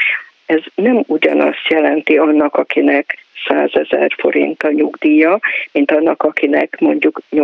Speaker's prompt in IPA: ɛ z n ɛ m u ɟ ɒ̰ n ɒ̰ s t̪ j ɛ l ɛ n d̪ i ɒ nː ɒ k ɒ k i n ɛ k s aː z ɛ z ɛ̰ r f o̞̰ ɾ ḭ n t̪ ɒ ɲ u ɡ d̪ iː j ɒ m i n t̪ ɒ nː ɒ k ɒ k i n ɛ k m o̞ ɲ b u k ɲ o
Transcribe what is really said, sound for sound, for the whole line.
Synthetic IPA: ɛ z n ɛ m u ɟ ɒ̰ n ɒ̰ s t̪ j ɛ l ɛ n t̪ i ɒ nː ɒ k ɒ k i n ɛ k s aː z ɛ z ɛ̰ r f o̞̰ ɾ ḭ n t̪ ɒ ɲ u ɡ d̪ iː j ɒ m i n t̪ ɒ nː ɒ k ɒ k i n ɛ k m o̞ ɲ ɟ u k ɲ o